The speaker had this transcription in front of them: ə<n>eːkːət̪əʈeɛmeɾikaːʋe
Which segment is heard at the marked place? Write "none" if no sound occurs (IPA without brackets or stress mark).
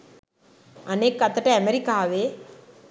n